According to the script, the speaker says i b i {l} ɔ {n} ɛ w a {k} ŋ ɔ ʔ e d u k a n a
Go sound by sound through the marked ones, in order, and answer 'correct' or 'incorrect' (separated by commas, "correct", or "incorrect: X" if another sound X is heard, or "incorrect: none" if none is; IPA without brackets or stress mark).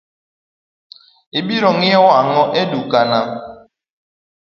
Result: incorrect: ɾ, incorrect: ŋ, incorrect: none